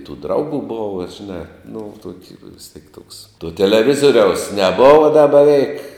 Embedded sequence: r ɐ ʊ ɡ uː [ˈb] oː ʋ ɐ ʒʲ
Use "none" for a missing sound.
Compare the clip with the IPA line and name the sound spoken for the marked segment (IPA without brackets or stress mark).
b